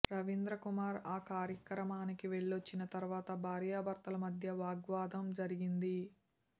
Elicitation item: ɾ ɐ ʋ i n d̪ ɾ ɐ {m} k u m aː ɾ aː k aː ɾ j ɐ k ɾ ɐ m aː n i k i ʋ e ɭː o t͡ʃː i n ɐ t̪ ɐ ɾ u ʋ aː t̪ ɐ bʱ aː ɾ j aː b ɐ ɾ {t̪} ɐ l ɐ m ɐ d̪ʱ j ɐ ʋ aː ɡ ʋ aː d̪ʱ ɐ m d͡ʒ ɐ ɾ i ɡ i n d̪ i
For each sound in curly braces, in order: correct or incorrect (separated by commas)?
incorrect, correct